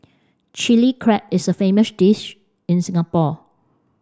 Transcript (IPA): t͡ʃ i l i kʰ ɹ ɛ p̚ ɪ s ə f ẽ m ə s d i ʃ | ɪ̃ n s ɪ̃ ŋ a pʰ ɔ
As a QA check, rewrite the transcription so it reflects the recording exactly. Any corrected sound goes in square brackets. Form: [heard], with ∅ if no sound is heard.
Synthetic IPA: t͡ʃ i l i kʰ ɹ ɛ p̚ ɪ s ə f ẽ m ə s d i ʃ | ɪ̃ n s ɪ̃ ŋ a [p] ɔ